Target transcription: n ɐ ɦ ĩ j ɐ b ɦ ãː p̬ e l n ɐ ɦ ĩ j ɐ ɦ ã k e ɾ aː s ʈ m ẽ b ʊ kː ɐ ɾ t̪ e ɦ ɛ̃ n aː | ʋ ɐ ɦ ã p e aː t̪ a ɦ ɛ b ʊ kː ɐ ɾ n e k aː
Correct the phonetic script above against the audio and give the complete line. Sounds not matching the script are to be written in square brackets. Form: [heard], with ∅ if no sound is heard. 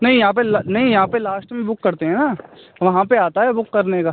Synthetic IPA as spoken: n ɐ ɦ ĩ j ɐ [∅] ɦ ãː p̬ e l n ɐ ɦ ĩ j ɐ ɦ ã [p] e [l] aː s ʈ m ẽ b ʊ kː ɐ ɾ t̪ e ɦ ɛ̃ n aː | ʋ ɐ ɦ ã p e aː t̪ a ɦ ɛ b ʊ kː ɐ ɾ n e k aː

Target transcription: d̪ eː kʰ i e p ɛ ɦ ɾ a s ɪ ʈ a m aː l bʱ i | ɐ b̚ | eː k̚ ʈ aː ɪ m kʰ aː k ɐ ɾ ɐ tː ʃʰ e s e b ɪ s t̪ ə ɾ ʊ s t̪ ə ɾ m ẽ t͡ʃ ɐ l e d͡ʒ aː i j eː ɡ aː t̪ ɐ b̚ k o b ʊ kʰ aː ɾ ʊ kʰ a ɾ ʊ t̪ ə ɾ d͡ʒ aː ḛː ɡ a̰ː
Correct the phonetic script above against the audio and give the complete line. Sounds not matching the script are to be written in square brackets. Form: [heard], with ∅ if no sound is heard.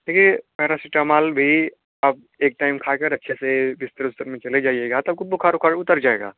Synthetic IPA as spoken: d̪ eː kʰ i e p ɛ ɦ ɾ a s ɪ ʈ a m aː l bʱ i | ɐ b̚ | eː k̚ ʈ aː ɪ m kʰ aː k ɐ ɾ ɐ tː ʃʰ e s e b ɪ s t̪ ə ɾ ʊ s t̪ ə ɾ m ẽ t͡ʃ ɐ l e d͡ʒ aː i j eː ɡ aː t̪ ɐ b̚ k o b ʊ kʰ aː ɾ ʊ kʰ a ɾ ʊ t̪ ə ɾ d͡ʒ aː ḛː ɡ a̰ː

